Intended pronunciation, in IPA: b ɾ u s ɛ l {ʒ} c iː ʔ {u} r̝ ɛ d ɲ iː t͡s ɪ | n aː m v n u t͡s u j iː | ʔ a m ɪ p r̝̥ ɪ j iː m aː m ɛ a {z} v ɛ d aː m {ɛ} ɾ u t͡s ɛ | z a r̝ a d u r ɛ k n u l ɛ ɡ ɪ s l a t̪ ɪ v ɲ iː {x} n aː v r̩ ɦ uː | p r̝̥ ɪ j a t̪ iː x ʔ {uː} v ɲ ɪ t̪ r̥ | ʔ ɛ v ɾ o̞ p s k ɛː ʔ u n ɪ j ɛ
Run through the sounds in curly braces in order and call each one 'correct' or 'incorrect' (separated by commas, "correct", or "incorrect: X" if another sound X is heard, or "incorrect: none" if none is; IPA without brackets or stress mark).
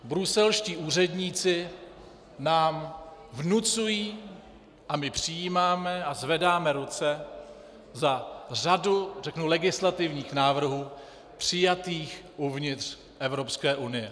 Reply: incorrect: ʃ, incorrect: uː, correct, correct, correct, incorrect: u